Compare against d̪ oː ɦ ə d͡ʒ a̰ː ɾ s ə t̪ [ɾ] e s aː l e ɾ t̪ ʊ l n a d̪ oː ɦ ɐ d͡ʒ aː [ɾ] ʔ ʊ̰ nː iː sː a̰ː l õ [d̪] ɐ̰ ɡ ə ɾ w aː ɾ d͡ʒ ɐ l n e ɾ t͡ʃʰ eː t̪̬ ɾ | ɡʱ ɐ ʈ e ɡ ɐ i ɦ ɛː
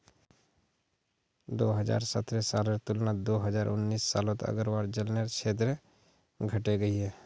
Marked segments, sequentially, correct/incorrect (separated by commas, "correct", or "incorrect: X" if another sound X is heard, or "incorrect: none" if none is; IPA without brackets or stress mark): correct, correct, incorrect: t̪